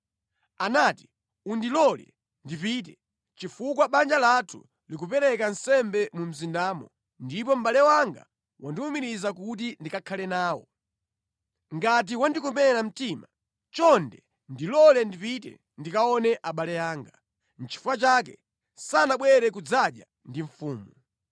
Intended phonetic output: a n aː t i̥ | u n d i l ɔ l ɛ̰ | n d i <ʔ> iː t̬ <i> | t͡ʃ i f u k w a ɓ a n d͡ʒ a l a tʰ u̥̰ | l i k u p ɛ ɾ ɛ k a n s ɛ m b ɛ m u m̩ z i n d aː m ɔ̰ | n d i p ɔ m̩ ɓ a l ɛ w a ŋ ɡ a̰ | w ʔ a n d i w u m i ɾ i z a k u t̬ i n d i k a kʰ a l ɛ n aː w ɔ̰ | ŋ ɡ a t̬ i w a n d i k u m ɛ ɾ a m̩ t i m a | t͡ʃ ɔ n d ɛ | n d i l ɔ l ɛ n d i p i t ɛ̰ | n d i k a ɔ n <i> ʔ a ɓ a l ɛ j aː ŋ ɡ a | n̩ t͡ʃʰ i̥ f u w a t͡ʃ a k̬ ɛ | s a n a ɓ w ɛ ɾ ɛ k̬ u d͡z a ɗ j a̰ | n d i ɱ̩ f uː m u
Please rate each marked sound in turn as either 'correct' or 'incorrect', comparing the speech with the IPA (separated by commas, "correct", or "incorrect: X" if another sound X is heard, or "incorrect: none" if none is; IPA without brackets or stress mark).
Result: incorrect: p, incorrect: ɛ, incorrect: ɛ